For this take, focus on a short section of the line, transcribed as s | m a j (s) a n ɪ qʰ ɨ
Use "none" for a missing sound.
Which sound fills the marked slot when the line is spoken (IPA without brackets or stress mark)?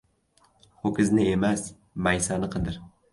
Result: s